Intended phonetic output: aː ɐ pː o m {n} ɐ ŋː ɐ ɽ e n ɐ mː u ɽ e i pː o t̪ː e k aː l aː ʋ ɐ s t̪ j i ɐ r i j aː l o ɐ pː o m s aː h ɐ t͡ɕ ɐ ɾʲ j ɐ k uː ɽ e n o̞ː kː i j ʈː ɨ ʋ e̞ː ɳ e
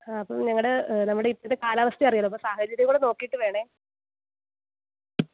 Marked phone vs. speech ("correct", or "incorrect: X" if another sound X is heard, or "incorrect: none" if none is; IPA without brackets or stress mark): incorrect: ɲ